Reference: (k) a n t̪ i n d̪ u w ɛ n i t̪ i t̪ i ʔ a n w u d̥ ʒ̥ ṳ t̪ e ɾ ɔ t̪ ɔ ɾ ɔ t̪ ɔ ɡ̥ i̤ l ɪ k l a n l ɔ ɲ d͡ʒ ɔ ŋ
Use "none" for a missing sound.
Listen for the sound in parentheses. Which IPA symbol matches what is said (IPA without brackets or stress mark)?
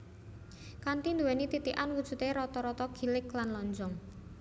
k